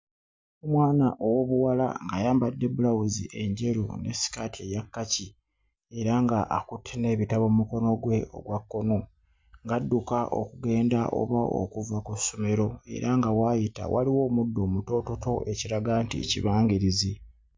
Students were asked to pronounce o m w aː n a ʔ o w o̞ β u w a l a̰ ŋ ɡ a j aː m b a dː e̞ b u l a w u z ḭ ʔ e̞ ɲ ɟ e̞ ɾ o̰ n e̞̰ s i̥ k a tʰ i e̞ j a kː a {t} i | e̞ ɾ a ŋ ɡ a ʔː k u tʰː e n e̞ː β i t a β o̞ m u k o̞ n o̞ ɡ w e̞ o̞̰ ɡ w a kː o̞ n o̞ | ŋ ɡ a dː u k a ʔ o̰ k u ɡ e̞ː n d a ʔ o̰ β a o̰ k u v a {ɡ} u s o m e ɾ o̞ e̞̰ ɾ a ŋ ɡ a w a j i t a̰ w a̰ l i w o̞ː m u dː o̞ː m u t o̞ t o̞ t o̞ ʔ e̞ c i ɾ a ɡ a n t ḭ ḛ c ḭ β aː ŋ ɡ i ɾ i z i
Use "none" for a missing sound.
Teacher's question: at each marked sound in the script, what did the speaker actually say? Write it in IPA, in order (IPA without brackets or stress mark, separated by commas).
c, k